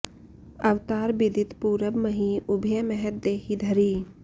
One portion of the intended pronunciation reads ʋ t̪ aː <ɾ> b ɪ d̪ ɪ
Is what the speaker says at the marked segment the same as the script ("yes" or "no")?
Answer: yes